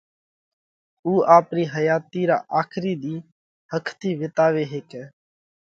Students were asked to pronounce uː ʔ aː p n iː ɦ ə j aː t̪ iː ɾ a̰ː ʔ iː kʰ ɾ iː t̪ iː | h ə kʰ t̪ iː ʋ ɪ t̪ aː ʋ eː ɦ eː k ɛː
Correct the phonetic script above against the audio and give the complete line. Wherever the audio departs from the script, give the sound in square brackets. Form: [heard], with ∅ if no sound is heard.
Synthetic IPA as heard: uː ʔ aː p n iː ɦ ə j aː t̪ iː ɾ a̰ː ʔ [aː] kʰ ɾ iː [d̪] iː | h ə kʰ t̪ iː ʋ ɪ t̪ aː ʋ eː ɦ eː k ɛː